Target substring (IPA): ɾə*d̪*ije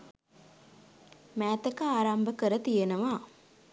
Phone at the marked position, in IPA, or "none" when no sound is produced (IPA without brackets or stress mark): t̪